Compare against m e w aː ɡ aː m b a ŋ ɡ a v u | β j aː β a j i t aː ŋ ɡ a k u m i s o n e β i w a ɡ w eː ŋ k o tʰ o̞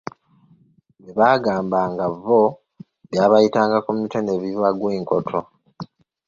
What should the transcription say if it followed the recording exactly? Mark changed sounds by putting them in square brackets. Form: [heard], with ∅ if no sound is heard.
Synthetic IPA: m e [β] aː ɡ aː m b a ŋ ɡ a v [o] | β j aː β a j i t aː ŋ ɡ a k u m i [t] o n e β i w a ɡ w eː ŋ k o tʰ o̞